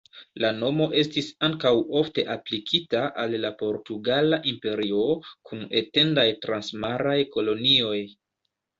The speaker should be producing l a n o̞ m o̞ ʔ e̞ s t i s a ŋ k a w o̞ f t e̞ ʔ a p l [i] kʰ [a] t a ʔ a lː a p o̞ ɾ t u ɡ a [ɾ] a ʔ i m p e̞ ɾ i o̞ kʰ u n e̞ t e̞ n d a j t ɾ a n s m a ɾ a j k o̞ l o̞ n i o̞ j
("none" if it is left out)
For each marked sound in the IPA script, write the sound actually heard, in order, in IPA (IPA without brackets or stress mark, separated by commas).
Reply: i, i, l